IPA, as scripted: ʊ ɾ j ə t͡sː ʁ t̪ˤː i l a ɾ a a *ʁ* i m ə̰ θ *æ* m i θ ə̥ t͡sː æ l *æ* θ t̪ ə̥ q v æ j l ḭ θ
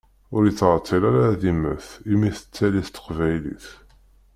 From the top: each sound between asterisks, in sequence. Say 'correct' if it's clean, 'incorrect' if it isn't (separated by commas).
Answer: incorrect, incorrect, incorrect